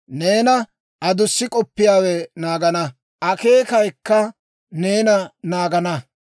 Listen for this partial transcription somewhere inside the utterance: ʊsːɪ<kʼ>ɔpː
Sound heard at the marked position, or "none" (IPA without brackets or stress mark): kʼ